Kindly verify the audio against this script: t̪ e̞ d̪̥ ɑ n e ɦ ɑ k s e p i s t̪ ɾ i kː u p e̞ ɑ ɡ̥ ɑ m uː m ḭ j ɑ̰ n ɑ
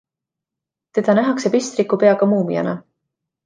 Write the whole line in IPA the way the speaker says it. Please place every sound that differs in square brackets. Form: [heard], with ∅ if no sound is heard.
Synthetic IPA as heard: t̪ e̞ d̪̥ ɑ n [æ] ɦ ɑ k s e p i s t̪ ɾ i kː u p e̞ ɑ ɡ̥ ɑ m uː m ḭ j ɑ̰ n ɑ